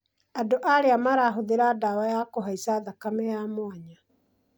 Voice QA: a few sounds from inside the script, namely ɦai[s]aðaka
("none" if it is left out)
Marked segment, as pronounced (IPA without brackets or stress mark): s